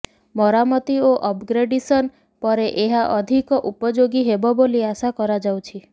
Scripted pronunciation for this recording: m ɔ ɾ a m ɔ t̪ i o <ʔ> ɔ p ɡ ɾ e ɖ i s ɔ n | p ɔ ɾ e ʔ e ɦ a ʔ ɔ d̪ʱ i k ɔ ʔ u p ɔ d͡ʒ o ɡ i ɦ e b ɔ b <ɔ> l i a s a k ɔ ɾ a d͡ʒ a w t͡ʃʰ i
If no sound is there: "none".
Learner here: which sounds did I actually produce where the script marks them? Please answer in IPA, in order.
ʔ, o

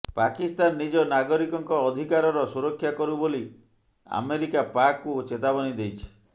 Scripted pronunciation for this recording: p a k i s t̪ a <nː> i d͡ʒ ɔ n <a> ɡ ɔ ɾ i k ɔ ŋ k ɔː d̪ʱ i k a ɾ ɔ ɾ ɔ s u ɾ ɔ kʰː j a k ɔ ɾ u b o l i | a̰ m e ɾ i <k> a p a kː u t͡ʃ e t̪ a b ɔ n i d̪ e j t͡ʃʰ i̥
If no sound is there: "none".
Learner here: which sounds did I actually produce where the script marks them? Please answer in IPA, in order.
nː, a, k

